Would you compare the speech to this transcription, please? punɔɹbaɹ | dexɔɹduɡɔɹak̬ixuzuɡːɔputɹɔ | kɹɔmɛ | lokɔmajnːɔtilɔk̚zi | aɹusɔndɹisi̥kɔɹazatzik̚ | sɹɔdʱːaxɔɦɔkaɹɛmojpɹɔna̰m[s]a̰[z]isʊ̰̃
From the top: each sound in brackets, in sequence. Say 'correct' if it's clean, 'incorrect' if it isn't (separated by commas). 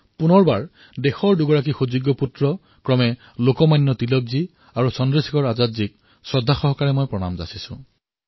incorrect, incorrect